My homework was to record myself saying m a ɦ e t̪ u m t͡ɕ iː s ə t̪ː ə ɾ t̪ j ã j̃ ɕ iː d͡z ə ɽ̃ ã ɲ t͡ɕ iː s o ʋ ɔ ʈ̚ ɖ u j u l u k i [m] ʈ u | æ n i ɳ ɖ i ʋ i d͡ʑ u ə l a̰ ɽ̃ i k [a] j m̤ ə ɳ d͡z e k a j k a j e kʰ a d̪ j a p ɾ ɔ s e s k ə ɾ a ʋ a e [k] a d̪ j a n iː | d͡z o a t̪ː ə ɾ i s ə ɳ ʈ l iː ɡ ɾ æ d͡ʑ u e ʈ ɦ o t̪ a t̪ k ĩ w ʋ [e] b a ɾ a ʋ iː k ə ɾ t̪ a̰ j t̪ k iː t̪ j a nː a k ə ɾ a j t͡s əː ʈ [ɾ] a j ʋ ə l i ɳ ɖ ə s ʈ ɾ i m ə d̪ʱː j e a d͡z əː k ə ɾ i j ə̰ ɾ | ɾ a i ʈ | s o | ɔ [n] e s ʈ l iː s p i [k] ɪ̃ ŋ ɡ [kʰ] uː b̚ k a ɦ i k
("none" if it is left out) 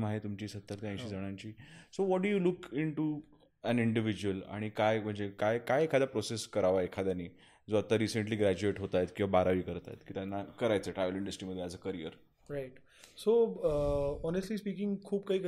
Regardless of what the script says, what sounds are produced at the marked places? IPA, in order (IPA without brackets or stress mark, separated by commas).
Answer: ɳ, a, kʰ, a, ɾ, n, k, kʰ